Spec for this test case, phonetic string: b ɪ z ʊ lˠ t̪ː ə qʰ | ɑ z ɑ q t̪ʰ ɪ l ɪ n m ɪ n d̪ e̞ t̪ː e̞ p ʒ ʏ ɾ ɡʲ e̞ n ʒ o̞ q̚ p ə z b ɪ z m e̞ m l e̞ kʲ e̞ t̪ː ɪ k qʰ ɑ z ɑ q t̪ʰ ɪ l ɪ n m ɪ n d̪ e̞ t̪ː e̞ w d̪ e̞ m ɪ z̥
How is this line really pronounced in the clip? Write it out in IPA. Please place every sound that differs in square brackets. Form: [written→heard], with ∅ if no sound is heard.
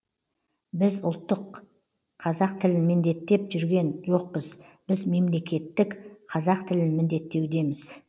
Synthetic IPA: b ɪ z ʊ lˠ t̪ː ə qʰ | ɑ z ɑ q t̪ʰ ɪ l ɪ n m ɪ n d̪ e̞ t̪ː e̞ p ʒ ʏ ɾ ɡʲ e̞ n ʒ o̞ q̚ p ə z b ɪ z m e̞ m l e̞ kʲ e̞ t̪ː ɪ k qʰ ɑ z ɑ q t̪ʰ ɪ l ɪ n m ɪ n d̪ e̞ t̪ː e̞ w d̪ e̞ m ɪ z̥